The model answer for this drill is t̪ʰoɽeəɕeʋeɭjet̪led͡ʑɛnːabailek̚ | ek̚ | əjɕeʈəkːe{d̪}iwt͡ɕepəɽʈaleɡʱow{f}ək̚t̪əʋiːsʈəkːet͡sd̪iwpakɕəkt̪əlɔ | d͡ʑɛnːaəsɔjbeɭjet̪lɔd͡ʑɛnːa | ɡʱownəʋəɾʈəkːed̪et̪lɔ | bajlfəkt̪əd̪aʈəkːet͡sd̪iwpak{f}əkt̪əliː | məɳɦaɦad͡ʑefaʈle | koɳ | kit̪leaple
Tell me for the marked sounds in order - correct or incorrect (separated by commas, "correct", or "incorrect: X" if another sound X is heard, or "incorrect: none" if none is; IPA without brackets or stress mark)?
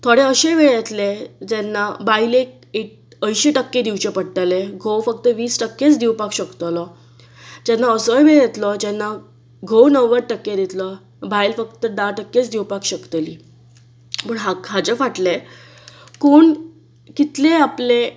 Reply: correct, correct, incorrect: ɕ